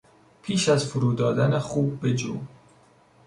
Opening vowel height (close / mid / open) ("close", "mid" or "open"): close